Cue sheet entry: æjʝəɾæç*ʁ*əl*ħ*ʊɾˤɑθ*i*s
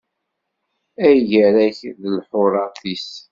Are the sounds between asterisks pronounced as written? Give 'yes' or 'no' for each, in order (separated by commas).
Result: no, yes, yes